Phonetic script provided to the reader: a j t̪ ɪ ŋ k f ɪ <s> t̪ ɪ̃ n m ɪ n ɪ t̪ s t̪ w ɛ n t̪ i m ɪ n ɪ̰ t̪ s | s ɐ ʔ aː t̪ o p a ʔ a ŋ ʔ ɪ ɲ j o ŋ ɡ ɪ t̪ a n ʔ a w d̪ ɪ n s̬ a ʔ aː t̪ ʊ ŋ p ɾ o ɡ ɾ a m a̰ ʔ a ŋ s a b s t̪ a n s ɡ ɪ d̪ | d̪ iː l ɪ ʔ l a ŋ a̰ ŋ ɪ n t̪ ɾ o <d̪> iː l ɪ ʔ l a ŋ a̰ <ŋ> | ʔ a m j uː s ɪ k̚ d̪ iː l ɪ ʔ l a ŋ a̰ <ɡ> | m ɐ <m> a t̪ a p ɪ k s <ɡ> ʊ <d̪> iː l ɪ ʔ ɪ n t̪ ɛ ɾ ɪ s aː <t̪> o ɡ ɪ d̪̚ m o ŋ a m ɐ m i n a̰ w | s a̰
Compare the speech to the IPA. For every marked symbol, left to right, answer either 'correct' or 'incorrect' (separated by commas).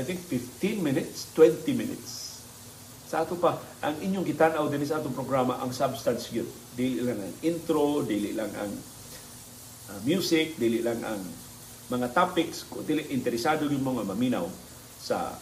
incorrect, correct, correct, incorrect, incorrect, incorrect, correct, incorrect